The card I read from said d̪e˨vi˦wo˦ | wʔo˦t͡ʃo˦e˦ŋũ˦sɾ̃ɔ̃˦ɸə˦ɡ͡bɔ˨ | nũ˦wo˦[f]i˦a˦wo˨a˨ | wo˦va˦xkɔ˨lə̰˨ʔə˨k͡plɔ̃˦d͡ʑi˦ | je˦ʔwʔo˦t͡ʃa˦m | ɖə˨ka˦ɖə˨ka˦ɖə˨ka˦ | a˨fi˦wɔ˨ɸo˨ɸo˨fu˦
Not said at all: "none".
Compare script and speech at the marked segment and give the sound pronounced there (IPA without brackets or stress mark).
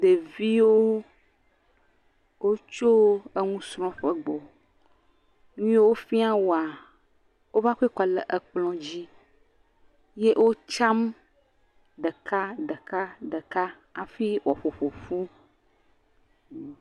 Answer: f